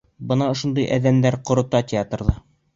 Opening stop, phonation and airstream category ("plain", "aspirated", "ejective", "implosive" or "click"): plain